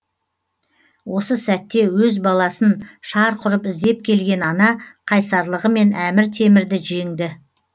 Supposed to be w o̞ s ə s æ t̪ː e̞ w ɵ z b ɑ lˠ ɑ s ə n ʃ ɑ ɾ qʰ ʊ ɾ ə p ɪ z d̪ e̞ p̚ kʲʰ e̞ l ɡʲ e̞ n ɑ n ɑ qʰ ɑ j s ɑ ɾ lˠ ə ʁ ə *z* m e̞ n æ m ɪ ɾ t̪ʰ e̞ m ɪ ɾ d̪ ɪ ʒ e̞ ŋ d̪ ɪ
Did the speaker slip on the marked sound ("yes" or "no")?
yes